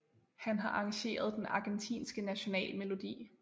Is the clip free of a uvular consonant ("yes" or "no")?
yes